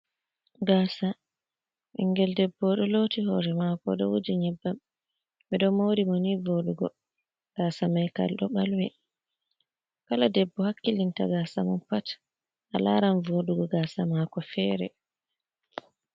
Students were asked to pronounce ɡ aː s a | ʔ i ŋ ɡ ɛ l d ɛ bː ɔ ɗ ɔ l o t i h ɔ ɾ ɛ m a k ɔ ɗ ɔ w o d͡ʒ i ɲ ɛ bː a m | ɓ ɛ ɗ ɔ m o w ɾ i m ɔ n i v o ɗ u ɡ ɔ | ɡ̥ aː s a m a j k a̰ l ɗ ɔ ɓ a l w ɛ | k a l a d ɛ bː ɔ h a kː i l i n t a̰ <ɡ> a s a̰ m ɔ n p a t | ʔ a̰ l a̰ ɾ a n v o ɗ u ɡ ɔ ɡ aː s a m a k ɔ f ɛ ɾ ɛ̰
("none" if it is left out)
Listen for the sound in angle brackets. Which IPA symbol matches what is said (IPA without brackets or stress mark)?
ɡ